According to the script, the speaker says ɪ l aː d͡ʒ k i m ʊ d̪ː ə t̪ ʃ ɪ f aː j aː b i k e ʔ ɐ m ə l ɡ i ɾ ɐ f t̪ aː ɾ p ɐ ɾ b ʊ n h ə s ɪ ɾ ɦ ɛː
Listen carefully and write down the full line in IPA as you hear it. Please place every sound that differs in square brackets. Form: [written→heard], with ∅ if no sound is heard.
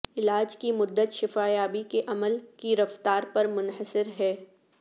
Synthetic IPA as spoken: ɪ l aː d͡ʒ k i m ʊ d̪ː ə t̪ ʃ ɪ f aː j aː b i k e ʔ ɐ m ə l [ɡ→k] i ɾ ɐ f t̪ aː ɾ p ɐ ɾ [b→m] ʊ n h ə s ɪ ɾ ɦ ɛː